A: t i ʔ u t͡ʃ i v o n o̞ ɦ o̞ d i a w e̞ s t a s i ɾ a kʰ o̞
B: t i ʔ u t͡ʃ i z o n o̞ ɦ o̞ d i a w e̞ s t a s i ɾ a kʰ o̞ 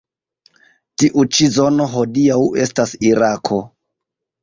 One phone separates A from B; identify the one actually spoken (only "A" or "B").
B